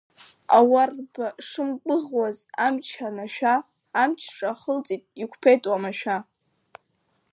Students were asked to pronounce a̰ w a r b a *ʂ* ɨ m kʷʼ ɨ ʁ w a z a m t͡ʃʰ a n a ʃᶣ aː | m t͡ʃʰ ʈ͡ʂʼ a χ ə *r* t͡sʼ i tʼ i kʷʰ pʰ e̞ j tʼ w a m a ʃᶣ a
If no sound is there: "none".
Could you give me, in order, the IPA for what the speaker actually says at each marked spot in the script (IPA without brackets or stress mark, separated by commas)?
ʂ, l